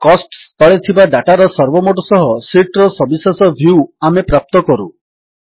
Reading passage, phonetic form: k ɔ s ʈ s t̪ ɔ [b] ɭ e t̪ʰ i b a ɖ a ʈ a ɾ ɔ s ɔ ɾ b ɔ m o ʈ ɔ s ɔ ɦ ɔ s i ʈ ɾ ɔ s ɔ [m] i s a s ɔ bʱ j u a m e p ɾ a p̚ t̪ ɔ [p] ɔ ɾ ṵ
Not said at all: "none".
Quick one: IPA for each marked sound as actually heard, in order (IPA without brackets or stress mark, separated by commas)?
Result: none, b, k